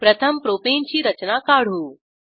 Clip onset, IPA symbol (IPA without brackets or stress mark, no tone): p